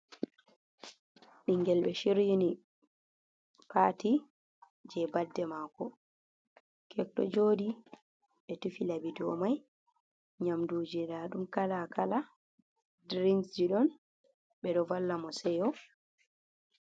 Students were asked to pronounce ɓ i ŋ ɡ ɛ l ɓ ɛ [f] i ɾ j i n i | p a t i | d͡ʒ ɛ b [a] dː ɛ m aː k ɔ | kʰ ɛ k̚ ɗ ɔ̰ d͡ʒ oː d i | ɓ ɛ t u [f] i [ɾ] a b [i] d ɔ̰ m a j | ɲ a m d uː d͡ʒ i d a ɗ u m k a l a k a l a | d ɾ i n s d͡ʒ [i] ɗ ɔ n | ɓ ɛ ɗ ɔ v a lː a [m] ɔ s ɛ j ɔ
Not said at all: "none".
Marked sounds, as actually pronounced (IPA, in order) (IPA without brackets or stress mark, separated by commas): ʃ, a, f, l, i, i, m